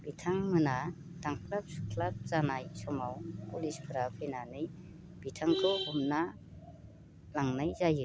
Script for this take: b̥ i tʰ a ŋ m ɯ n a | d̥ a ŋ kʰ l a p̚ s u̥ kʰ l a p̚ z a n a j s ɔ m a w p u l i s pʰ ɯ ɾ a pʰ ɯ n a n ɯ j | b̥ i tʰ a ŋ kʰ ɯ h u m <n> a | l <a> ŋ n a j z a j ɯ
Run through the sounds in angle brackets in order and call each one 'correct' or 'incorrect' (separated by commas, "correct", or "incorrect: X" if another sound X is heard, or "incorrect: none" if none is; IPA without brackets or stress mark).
correct, correct